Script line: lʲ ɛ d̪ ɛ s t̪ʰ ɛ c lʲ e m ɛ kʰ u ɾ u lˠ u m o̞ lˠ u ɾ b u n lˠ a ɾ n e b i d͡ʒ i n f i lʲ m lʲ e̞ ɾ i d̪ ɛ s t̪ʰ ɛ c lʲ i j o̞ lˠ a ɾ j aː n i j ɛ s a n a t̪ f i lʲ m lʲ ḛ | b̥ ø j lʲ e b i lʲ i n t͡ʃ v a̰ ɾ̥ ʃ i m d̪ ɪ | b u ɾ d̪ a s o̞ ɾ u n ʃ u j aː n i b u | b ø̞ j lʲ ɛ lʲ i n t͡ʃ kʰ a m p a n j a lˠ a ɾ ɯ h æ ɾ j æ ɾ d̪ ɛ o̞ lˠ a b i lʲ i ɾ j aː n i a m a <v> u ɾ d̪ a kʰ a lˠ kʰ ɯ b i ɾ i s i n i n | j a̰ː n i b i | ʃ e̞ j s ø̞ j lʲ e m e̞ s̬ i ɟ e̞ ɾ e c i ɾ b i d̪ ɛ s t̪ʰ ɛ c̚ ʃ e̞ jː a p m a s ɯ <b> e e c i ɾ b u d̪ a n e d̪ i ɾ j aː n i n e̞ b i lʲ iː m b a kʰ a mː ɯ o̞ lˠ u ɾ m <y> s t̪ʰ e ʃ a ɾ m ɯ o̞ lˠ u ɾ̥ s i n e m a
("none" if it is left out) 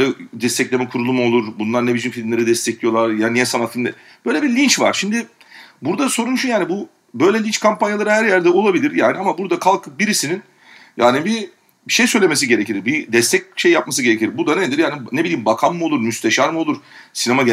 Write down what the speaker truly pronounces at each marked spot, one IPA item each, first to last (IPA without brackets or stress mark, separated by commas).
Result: b, ɟ, y